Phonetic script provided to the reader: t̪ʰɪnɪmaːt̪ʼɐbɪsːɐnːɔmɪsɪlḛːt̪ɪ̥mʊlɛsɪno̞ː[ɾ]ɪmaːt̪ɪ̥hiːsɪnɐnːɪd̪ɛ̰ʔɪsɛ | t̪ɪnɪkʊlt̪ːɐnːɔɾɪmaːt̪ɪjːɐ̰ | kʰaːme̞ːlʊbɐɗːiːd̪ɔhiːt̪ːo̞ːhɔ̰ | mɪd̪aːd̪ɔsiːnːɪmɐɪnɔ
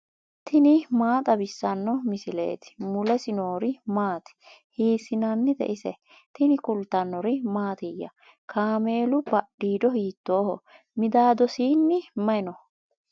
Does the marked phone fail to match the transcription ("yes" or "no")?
no